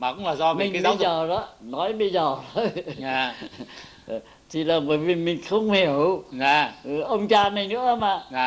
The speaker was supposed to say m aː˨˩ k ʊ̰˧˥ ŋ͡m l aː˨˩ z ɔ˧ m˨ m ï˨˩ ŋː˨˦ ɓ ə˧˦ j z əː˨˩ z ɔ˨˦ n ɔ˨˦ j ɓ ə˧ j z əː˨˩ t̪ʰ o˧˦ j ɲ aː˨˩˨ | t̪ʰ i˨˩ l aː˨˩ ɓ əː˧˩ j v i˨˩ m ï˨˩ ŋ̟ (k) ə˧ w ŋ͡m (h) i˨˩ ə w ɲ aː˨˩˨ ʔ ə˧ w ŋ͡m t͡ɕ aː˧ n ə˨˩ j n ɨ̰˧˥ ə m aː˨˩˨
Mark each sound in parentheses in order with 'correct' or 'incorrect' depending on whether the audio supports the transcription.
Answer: incorrect: x, correct

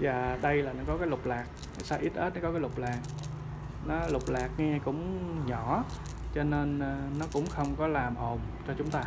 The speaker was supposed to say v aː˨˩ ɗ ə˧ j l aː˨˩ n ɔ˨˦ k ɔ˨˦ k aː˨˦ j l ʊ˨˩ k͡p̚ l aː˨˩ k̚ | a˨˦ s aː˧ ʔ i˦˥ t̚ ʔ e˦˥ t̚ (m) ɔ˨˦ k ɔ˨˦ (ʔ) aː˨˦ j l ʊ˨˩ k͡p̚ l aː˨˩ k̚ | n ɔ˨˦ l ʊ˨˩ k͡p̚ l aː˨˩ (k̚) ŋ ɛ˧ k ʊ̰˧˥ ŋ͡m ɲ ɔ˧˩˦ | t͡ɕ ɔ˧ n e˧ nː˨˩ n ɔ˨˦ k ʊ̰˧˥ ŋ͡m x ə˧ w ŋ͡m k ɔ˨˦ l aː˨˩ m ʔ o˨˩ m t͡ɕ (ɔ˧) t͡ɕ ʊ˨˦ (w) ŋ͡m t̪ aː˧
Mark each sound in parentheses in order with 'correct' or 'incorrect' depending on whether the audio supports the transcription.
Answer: incorrect: n, incorrect: k, correct, correct, incorrect: none

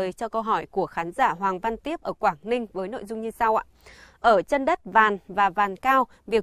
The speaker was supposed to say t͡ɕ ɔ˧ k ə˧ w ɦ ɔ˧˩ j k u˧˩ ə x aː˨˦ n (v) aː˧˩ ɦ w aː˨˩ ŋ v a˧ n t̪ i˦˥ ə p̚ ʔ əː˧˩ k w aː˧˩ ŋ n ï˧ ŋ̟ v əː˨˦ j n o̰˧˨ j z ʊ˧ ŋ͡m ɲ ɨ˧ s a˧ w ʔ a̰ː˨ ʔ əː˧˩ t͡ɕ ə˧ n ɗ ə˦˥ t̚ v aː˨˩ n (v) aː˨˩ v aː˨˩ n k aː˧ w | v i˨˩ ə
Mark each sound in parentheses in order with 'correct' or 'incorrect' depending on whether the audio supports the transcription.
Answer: incorrect: z, correct

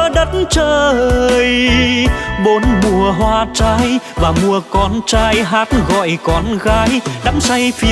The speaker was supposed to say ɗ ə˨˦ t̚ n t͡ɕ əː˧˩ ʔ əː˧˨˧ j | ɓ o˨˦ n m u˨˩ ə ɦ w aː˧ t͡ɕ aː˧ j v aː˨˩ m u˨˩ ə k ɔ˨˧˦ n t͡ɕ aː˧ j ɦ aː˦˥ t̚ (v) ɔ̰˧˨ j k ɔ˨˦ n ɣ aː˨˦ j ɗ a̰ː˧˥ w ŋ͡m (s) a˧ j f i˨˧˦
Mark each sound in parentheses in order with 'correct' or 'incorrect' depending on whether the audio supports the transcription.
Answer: incorrect: ɣ, correct

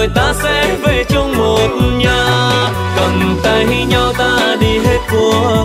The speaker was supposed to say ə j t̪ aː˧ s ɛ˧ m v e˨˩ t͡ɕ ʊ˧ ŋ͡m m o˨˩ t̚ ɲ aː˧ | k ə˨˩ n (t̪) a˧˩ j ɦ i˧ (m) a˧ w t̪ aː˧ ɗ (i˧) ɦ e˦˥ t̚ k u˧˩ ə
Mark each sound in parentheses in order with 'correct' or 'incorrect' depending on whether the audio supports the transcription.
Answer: correct, incorrect: ɲ, correct

